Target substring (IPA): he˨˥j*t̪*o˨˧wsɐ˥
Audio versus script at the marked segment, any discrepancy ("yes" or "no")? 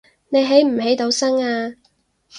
no